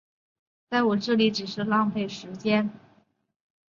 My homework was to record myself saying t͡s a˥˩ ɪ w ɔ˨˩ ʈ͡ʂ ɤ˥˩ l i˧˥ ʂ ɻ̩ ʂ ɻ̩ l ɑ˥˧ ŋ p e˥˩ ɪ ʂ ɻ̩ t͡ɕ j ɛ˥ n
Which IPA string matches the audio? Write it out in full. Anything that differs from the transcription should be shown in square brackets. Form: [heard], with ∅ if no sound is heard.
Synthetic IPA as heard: t͡s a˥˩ ɪ w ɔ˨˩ ʈ͡ʂ ɤ˥˩ l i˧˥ [ʈ͡ʂ] ɻ̩ ʂ ɻ̩ l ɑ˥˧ ŋ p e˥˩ ɪ ʂ ɻ̩ t͡ɕ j ɛ˥ n